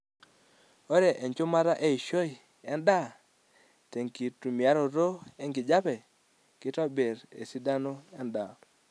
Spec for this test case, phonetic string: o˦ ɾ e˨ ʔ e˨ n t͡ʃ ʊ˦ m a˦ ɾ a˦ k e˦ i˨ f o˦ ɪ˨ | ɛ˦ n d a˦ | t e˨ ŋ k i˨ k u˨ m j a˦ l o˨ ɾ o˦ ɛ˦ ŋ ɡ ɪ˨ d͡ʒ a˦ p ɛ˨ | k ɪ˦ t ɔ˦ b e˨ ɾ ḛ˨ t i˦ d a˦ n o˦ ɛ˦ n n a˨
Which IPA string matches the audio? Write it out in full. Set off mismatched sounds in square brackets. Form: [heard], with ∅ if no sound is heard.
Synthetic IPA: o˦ ɾ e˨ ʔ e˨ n t͡ʃ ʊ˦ m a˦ ɾ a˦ [ʔ] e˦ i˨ [ʃ] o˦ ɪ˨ | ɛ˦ n d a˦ | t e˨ ŋ k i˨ [t] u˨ m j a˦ [ɾ] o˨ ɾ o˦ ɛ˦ ŋ ɡ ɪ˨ d͡ʒ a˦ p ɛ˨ | k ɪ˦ t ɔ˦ b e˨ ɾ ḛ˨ [s] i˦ d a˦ n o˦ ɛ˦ n [d] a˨